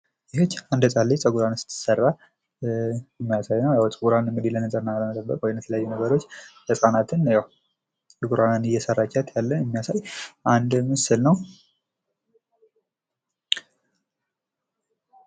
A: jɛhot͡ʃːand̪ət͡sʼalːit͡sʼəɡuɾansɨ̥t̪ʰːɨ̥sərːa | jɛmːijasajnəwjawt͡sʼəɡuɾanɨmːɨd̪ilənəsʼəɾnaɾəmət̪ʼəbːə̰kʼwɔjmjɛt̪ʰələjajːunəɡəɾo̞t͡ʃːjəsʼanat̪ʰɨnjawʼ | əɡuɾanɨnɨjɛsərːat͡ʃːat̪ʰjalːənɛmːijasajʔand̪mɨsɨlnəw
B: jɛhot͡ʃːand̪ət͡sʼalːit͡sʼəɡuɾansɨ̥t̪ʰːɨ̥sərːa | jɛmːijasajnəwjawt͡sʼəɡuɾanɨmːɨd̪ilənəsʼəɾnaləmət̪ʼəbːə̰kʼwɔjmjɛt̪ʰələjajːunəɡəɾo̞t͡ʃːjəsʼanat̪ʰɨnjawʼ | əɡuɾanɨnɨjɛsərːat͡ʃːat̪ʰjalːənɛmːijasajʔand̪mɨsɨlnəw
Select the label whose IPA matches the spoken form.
B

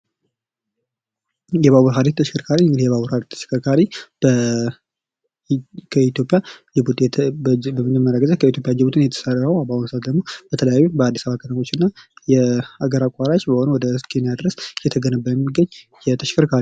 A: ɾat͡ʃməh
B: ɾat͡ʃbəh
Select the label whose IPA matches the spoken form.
B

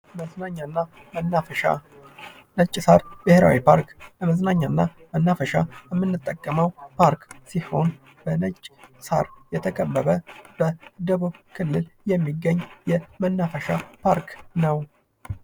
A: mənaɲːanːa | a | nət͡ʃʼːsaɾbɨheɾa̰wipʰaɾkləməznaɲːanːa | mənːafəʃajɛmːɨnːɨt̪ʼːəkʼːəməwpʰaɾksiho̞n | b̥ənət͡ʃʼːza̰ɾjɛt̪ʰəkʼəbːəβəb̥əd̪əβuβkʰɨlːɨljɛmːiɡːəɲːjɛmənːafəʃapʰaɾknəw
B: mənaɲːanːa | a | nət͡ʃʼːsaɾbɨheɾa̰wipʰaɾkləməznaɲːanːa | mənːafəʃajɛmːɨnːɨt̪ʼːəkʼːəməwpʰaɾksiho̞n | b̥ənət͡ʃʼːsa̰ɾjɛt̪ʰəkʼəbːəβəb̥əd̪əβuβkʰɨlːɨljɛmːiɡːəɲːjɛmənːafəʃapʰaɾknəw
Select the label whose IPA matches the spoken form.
B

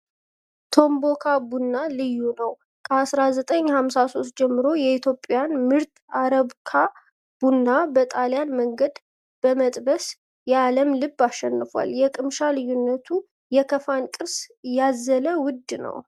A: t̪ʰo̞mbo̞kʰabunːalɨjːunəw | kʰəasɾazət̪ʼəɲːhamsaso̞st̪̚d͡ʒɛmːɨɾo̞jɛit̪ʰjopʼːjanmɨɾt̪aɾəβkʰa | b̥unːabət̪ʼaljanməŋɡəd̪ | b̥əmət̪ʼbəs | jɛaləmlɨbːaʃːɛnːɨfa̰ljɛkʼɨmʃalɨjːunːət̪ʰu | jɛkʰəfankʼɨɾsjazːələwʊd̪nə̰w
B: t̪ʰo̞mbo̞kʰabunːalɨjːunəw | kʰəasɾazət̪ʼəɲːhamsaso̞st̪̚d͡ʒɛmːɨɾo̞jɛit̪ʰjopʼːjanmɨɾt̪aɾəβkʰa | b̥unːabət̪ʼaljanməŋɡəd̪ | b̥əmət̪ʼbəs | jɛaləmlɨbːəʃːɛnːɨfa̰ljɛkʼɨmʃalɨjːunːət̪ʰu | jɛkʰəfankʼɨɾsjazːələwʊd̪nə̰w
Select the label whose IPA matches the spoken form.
A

